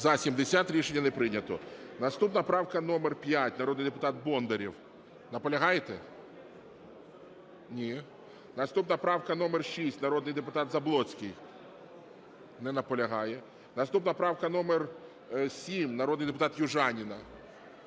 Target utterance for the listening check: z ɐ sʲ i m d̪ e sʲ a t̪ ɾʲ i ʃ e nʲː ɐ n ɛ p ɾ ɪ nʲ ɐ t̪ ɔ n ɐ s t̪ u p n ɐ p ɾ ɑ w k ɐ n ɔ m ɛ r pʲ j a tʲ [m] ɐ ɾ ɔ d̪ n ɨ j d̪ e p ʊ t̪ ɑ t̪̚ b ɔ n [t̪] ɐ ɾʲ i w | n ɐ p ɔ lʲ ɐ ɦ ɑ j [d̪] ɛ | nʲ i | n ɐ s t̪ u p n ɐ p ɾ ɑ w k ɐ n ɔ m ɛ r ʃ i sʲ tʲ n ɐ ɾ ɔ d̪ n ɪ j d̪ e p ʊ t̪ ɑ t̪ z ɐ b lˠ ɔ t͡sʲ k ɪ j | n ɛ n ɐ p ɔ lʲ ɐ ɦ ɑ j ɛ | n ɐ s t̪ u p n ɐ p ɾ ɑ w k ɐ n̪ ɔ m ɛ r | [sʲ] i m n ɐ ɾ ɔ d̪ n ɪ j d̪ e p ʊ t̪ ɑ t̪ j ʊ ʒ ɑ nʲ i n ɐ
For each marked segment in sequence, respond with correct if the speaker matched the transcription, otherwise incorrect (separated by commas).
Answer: incorrect, incorrect, incorrect, correct